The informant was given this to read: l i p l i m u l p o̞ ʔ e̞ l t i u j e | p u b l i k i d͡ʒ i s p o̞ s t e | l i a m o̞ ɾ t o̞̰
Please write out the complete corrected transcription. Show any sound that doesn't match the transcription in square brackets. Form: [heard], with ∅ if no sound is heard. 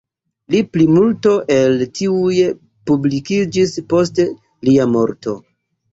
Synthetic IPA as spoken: l i p l i m u l [t] o̞ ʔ e̞ l t i u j e | p u b l i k i d͡ʒ i s p o̞ s t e | l i a m o̞ ɾ t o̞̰